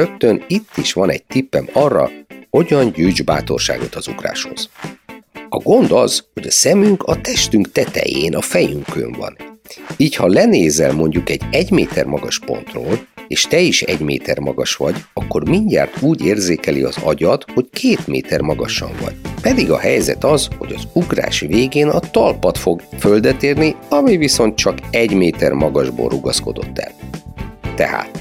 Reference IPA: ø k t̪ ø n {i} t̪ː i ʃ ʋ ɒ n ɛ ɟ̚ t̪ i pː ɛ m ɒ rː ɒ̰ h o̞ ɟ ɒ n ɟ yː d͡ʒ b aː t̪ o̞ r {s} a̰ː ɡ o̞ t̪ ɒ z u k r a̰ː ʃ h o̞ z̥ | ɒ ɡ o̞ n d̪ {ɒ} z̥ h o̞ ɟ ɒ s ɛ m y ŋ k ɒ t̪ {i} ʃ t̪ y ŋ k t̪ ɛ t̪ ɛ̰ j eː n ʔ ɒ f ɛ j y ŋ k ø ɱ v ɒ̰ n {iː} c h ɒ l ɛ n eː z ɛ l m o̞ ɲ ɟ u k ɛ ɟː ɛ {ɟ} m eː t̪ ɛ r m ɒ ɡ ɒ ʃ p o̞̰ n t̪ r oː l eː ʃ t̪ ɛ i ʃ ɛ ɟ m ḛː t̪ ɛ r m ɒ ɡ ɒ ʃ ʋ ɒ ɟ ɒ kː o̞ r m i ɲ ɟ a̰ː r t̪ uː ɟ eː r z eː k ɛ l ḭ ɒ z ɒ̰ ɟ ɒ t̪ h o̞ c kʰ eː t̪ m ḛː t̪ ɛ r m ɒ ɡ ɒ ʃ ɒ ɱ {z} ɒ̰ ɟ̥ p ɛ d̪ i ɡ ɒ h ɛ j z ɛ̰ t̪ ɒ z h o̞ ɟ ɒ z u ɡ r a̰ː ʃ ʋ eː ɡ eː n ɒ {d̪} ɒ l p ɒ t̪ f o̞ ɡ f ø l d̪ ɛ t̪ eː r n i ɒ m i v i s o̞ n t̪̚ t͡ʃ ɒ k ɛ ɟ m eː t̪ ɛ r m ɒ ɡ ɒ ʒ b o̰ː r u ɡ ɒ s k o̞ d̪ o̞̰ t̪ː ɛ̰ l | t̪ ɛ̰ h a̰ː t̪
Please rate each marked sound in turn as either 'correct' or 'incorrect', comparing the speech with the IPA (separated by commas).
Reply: correct, incorrect, correct, incorrect, correct, correct, incorrect, incorrect